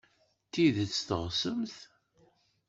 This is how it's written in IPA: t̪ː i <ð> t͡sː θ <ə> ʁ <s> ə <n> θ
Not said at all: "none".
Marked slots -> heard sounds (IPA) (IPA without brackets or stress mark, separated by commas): ð, ə, s, m